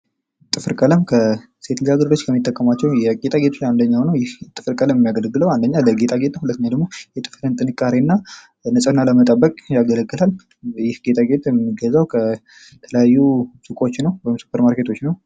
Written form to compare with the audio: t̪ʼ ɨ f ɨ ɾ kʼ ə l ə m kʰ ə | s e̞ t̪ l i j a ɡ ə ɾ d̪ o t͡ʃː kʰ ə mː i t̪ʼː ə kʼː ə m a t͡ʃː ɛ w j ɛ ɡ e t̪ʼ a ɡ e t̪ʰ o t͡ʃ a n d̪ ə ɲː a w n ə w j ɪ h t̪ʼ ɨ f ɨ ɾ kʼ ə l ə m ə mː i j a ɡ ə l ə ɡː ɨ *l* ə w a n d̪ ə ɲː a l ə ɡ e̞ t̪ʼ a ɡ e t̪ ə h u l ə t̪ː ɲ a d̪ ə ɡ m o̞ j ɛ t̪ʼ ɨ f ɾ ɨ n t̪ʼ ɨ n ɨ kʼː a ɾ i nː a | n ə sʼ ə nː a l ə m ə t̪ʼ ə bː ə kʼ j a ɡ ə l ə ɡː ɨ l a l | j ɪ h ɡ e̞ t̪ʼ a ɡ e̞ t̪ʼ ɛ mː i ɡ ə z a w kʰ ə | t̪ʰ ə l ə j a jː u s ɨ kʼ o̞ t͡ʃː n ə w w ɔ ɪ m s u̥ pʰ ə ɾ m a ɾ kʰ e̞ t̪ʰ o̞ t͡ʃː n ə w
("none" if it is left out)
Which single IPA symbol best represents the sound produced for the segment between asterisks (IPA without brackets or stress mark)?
l